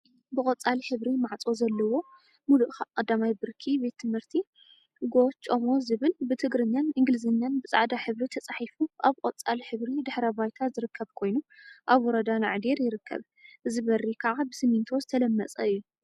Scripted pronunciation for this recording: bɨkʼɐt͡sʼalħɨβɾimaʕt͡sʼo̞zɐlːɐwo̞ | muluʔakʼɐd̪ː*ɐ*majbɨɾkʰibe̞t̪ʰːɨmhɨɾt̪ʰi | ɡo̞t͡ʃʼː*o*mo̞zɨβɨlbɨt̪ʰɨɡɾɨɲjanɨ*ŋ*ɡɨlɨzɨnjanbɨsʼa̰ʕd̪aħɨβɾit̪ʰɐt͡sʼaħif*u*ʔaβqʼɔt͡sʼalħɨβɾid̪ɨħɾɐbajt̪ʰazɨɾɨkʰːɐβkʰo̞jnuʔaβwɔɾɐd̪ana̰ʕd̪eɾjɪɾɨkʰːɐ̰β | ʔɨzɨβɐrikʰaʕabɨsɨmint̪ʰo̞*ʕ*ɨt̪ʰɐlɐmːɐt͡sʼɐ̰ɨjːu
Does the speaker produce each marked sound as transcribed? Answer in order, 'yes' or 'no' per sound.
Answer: no, yes, yes, yes, no

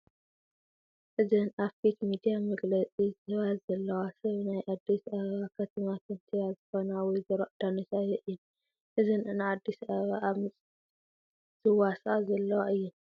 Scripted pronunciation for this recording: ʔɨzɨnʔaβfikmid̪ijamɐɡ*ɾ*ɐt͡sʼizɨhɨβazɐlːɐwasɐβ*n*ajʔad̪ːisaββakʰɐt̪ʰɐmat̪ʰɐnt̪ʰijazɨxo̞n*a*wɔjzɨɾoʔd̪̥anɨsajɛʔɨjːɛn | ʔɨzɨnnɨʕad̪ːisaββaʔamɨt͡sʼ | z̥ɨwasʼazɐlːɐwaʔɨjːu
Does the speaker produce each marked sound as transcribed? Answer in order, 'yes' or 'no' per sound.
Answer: no, yes, yes

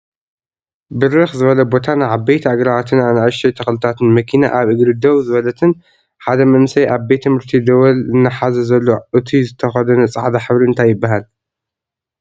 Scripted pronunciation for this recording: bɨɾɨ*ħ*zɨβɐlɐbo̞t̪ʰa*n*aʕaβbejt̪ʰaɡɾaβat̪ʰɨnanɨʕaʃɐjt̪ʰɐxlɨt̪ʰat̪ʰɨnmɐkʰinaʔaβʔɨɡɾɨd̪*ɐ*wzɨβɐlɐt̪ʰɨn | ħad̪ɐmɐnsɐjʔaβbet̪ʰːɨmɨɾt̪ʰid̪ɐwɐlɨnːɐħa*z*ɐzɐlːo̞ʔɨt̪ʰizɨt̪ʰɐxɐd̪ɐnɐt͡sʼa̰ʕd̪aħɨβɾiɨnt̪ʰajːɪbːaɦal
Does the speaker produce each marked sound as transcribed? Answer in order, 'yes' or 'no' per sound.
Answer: no, yes, yes, yes

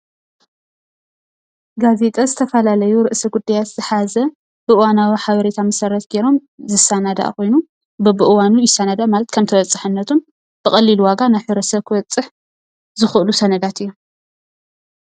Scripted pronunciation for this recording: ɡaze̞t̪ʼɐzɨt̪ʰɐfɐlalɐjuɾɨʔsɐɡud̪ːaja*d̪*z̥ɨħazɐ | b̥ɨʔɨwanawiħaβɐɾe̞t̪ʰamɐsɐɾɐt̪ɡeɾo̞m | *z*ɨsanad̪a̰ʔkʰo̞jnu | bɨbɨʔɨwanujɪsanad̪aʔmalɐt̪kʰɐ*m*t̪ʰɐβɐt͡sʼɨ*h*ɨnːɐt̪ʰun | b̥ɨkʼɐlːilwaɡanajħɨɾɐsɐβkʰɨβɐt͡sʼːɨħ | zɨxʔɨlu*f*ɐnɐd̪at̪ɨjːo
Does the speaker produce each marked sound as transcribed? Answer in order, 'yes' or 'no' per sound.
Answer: no, yes, yes, no, no

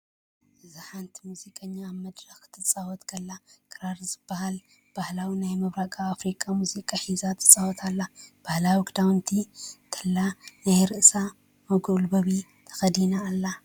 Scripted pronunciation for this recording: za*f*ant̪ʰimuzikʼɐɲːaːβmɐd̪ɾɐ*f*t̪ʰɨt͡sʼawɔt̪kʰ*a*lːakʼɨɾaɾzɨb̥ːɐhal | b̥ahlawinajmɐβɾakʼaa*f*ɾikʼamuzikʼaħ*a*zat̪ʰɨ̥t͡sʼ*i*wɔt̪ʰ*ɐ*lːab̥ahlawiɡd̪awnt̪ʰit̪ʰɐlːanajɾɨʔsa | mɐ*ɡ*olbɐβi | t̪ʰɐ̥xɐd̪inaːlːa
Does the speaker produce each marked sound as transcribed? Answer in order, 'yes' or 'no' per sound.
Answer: no, no, no, yes, no, no, no, yes

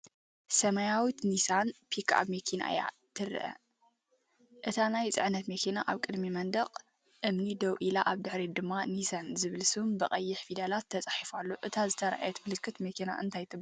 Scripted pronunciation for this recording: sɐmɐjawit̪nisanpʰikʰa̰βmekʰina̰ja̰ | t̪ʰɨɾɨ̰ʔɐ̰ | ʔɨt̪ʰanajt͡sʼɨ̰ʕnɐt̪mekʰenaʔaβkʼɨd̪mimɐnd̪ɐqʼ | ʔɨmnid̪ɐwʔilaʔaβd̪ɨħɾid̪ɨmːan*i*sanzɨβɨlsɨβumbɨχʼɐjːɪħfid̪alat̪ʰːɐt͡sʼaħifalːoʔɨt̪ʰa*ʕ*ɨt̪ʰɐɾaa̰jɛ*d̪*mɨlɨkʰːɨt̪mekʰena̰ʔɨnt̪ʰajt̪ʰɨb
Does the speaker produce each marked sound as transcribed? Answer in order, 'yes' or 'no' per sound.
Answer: yes, no, no

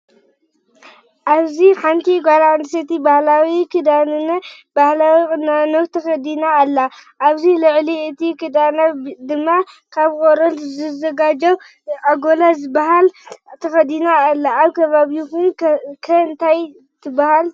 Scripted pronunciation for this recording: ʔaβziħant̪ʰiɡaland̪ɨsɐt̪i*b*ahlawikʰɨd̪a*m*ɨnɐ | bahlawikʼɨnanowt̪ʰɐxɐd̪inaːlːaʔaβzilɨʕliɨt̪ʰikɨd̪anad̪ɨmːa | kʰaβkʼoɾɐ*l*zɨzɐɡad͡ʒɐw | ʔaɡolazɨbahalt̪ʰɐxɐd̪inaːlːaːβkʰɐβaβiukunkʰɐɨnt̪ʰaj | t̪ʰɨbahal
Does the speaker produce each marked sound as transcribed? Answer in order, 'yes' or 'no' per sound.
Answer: yes, no, yes

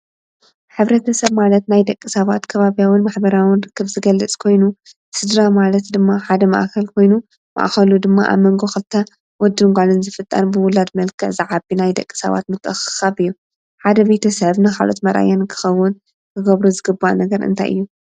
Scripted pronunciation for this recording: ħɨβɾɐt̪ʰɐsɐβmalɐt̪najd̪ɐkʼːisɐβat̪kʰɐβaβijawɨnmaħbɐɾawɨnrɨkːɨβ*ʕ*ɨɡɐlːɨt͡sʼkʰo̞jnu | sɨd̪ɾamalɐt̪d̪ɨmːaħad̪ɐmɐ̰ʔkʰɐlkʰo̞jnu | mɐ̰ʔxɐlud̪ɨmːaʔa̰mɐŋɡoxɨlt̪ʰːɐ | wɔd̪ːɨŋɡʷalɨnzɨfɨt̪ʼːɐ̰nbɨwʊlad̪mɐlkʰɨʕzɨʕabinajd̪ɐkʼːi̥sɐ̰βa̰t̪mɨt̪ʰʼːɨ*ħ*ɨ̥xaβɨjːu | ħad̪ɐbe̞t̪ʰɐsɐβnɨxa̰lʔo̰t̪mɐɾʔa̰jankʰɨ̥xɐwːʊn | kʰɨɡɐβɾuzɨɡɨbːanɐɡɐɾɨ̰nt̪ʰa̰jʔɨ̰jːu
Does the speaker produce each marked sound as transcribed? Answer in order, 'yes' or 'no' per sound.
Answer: no, no

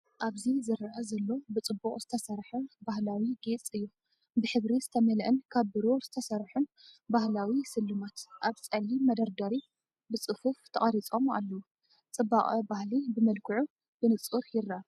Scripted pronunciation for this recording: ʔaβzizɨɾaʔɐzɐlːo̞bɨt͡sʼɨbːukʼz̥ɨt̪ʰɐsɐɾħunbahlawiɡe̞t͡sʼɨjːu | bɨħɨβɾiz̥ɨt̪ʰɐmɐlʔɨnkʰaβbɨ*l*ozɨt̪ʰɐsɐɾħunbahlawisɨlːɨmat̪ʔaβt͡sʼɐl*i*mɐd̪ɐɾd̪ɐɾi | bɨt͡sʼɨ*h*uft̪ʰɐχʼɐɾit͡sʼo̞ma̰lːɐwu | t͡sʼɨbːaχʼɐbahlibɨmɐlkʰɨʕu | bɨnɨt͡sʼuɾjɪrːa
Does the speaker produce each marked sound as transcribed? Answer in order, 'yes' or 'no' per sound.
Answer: no, yes, no

